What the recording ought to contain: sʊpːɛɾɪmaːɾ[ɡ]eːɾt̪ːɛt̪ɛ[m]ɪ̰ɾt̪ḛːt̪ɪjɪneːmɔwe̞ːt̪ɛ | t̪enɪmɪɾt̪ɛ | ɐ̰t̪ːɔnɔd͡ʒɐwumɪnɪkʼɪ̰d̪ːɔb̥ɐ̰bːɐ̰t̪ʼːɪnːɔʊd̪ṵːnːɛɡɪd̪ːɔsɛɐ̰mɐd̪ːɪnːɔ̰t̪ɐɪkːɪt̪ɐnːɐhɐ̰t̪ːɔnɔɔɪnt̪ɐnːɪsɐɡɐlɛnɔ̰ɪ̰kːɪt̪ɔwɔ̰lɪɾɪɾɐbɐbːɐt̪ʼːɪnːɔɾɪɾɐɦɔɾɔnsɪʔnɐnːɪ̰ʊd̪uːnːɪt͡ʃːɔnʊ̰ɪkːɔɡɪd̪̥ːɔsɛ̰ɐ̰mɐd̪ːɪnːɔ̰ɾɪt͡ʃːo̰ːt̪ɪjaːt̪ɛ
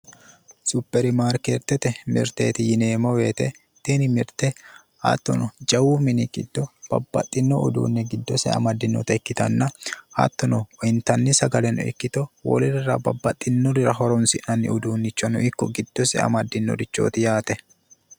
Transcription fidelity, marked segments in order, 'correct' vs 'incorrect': incorrect: k, correct

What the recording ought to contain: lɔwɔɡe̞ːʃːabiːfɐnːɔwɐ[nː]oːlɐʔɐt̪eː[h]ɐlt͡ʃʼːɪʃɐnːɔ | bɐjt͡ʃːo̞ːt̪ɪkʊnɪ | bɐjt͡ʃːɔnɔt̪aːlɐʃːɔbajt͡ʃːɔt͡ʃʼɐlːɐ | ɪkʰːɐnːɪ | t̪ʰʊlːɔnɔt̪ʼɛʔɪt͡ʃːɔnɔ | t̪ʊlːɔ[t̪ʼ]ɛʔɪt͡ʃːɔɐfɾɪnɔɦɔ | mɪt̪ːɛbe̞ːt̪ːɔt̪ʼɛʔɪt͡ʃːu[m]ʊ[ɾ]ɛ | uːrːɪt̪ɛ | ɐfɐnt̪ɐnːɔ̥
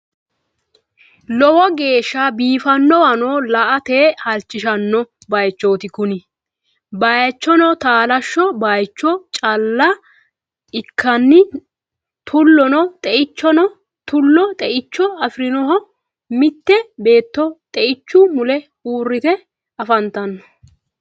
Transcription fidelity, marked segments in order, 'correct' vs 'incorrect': incorrect: n, correct, correct, correct, incorrect: l

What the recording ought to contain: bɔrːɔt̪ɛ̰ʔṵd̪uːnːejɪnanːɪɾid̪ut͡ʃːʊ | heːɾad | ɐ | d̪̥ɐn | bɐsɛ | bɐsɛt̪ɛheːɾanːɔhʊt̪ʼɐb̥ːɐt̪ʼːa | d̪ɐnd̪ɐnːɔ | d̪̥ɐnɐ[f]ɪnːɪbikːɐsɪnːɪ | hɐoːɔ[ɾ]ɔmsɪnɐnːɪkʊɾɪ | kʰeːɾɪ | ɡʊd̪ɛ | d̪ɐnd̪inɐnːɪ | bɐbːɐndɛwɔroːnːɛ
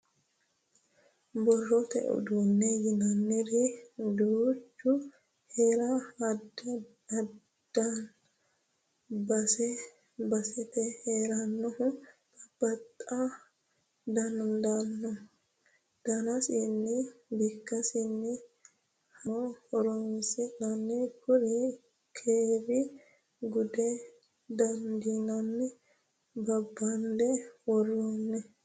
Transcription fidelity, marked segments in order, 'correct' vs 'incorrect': incorrect: s, correct

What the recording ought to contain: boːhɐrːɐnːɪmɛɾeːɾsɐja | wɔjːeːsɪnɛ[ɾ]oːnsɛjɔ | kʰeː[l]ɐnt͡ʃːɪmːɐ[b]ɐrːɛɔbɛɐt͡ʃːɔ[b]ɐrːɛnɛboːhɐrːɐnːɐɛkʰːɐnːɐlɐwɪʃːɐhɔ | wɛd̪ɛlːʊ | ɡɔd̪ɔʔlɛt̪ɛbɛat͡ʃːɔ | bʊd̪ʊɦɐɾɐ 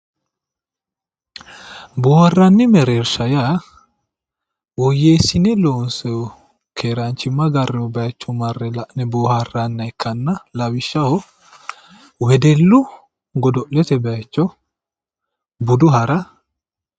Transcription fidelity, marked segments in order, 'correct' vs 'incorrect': incorrect: l, incorrect: ɾ, incorrect: ɡ, incorrect: m

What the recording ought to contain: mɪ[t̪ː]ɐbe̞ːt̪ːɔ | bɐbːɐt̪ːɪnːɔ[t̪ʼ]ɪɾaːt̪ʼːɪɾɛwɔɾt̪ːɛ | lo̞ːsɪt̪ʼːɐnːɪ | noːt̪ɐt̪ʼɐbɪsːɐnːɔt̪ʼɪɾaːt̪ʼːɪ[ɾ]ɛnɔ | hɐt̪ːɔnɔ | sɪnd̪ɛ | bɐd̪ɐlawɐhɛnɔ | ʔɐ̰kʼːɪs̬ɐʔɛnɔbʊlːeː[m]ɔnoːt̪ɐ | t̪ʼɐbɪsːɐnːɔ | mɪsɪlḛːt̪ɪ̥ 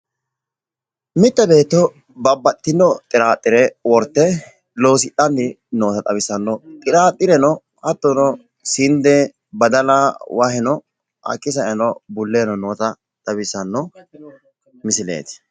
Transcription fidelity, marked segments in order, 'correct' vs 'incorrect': correct, correct, correct, incorrect: n

